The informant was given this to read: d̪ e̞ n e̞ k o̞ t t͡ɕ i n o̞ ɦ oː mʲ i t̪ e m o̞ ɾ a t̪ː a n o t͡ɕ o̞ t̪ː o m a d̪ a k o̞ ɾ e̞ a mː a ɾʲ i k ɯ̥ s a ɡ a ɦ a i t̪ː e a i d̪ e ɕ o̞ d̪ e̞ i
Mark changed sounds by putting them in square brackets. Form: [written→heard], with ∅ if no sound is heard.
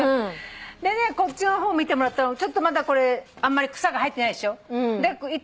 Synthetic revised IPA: d̪ e̞ n e̞ k o̞ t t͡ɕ i n o̞ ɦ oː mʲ i t̪ e m o̞ ɾ a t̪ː a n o t͡ɕ o̞ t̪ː o m a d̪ a k o̞ ɾ e̞ a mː a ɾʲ i k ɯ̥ s a ɡ a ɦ a i t̪ː e a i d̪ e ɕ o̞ d̪ e̞ i

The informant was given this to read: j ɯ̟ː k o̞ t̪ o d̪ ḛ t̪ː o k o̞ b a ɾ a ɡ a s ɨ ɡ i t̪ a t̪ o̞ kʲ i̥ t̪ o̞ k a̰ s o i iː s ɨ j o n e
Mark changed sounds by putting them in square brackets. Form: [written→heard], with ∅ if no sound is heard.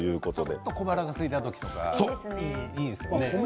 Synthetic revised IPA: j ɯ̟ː k o̞ t̪ o d̪ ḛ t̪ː o k o̞ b a ɾ a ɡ a s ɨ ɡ i t̪ a t̪ o̞ kʲ i̥ t̪ o̞ k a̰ s o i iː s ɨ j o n e

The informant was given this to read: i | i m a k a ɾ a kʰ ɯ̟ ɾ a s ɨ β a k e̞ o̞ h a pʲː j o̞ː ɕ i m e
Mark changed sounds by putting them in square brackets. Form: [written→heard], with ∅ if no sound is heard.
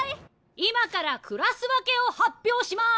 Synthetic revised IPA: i | i m a k a ɾ a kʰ ɯ̟ ɾ a s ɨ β a k e̞ o̞ h a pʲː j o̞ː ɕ i m [e→a]

